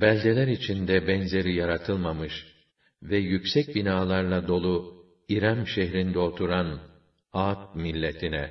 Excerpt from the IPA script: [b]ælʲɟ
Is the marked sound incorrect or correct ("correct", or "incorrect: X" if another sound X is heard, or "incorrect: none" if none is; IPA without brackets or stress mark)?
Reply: correct